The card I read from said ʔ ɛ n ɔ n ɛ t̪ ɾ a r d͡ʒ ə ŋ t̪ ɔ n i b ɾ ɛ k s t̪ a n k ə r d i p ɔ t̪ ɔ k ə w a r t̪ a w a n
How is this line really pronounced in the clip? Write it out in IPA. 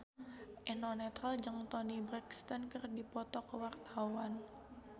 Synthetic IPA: ʔ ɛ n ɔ n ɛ t̪ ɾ a l d͡ʒ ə ŋ t̪ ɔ n i b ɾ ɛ k s t̪ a n k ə r d i p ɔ t̪ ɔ k ə w a r t̪ a w a n